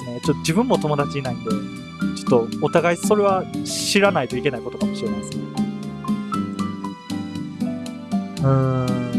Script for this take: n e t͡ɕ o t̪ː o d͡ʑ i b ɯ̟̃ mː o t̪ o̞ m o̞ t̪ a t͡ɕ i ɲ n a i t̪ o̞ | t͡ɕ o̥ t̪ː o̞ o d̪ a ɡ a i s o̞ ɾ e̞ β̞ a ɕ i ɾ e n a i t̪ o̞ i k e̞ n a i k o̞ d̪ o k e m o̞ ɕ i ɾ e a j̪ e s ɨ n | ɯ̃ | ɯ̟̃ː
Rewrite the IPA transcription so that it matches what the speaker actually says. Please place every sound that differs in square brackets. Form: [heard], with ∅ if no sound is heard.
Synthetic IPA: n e t͡ɕ o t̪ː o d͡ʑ i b ɯ̟̃ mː o t̪ o̞ m o̞ [d̪] a t͡ɕ i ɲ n a i t̪ o̞ | t͡ɕ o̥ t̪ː o̞ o [t̪] a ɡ a i s o̞ ɾ e̞ β̞ a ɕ i ɾ [a] n a i t̪ o̞ i k e̞ n a i k o̞ [t̪] o k [a] m o̞ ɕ i ɾ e a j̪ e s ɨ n | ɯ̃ | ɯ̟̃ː